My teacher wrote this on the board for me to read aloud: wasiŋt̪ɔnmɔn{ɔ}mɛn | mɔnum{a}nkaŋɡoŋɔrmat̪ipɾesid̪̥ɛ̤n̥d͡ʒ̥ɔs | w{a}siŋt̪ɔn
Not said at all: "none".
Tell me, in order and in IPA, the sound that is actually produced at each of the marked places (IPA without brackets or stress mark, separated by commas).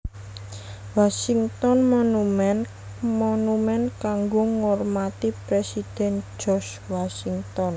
u, ɛ, a